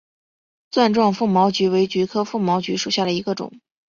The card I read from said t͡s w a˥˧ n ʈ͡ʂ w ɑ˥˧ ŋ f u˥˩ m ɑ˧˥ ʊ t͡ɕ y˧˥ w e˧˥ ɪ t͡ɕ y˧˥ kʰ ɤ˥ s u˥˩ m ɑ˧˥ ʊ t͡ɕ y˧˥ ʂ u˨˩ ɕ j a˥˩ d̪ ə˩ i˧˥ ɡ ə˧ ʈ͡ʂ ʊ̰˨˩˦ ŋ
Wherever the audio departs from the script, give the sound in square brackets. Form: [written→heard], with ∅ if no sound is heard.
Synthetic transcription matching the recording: t͡s w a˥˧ n ʈ͡ʂ w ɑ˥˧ ŋ f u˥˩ m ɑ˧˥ ʊ t͡ɕ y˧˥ w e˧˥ ɪ t͡ɕ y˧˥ kʰ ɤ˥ [s→f] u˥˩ m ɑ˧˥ ʊ t͡ɕ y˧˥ ʂ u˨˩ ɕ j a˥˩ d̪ ə˩ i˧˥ ɡ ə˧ ʈ͡ʂ ʊ̰˨˩˦ ŋ